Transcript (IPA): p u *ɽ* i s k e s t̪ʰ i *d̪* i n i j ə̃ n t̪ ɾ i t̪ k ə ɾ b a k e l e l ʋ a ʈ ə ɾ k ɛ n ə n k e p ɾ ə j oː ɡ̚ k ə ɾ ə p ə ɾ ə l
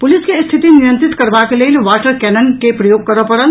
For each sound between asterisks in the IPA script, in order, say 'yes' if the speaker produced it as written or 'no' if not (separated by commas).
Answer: no, no